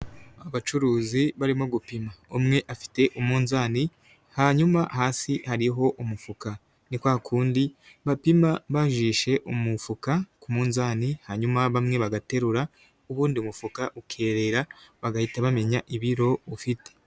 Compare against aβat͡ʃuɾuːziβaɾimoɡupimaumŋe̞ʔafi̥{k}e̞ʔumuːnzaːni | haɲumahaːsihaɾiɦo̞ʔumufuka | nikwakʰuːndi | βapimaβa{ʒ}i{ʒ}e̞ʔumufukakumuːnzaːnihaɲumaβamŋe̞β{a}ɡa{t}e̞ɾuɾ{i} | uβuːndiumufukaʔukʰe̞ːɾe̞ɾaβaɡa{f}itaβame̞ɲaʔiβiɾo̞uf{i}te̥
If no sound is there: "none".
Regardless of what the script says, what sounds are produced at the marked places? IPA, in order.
t, ʒ, ʃ, a, t, a, h, i

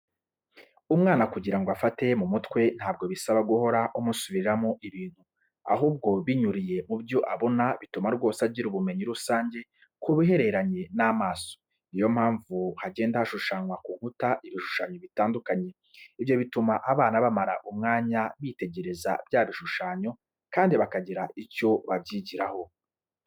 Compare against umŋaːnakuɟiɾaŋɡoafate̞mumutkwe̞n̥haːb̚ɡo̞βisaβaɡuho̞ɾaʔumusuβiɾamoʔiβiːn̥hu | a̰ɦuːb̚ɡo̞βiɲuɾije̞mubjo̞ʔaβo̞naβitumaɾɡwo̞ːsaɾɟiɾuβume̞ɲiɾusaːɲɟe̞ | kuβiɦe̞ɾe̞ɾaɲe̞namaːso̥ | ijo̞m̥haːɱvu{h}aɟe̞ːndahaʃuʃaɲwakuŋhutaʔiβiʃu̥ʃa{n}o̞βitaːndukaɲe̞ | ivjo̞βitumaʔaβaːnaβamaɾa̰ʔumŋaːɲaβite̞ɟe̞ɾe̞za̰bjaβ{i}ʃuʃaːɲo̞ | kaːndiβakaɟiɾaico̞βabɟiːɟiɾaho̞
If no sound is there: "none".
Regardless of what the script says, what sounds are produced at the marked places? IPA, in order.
h, ɲ, i

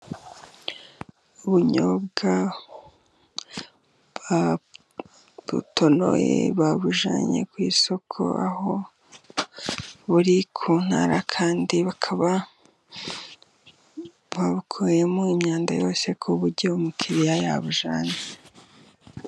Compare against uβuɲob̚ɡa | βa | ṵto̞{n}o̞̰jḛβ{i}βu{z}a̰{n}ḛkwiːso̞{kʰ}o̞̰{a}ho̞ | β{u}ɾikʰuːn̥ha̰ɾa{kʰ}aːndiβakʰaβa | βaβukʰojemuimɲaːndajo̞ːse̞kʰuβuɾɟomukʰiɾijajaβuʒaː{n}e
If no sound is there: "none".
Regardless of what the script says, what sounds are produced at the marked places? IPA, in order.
n, a, ʒ, ɲ, kʰ, a, u, kʰ, ɲ

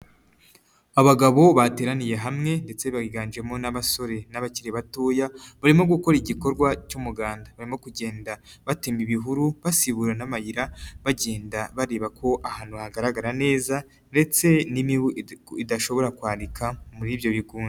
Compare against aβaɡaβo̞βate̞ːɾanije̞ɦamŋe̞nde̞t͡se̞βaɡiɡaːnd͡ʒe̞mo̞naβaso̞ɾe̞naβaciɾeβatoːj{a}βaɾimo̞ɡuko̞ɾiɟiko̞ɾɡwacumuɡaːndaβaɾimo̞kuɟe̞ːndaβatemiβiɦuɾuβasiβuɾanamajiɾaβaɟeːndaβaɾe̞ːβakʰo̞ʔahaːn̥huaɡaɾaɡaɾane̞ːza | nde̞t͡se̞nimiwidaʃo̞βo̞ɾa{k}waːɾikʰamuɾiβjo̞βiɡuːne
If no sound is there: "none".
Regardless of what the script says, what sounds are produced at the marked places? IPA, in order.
a, k

